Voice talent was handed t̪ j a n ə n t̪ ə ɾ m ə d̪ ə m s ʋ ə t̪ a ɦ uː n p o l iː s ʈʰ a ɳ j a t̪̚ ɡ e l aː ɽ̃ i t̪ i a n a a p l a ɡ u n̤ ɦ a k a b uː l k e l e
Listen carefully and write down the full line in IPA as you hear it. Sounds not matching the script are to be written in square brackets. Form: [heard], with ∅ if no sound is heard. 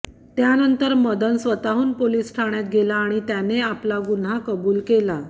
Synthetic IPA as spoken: t̪ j a n ə n t̪ ə ɾ m ə d̪ ə [n] s ʋ ə t̪ a ɦ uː n p o l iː s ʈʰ a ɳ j a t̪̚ ɡ e l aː ɽ̃ i t̪ [j] a n [e] a p l a ɡ u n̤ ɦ a k [ə] b uː l k e l [a]